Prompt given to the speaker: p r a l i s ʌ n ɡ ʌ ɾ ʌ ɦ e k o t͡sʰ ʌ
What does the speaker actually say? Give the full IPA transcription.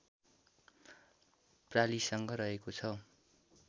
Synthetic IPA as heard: p r a l i s ʌ ŋ ɡ ʌ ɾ ʌ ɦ e k o t͡sʰ ʌ